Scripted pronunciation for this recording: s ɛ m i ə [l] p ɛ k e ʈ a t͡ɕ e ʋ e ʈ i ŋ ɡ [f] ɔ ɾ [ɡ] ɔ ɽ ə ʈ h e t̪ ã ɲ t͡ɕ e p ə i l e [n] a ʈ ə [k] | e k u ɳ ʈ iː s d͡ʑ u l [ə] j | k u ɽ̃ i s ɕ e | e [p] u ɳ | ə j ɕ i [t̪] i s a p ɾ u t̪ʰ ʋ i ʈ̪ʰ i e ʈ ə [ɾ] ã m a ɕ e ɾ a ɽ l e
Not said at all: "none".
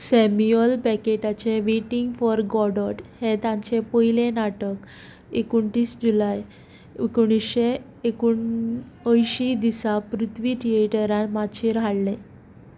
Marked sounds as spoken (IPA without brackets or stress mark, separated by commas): l, f, ɡ, n, k, a, k, d̪, ɾ